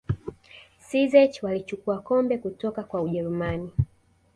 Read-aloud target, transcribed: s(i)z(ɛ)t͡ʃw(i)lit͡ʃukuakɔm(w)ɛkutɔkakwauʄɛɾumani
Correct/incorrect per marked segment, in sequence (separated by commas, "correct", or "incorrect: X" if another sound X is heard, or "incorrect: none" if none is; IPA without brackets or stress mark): correct, correct, incorrect: a, incorrect: b